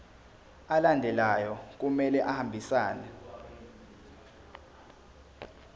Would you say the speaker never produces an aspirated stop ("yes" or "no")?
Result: yes